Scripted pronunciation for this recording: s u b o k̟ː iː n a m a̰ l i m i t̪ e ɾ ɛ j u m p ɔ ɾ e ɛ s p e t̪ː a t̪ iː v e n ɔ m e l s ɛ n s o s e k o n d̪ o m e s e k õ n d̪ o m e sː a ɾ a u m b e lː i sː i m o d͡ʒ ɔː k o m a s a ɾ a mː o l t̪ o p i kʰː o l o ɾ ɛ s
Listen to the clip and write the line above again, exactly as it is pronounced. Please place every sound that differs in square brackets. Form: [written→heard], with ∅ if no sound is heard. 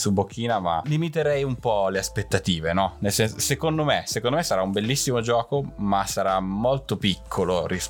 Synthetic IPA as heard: s u b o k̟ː iː n a m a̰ l i m i t̪ e ɾ ɛ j u m p ɔ [ɾ→l] e [ɛ→a] s p e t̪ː a t̪ iː v e n ɔ [m→n] e l s ɛ n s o s e k o n d̪ o m e s e k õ n d̪ o m e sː a ɾ a u m b e lː i sː i m o d͡ʒ ɔː k o m a s a ɾ a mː o l t̪ o p i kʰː o l o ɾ [ɛ→i] s